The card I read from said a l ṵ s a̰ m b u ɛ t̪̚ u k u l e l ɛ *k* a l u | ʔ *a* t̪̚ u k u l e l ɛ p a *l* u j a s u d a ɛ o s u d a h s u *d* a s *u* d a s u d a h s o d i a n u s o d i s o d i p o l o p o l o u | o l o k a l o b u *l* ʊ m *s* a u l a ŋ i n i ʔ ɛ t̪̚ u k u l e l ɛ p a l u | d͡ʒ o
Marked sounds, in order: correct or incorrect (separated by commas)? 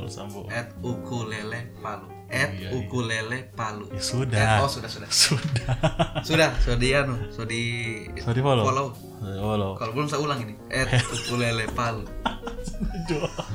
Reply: incorrect, incorrect, correct, correct, correct, correct, correct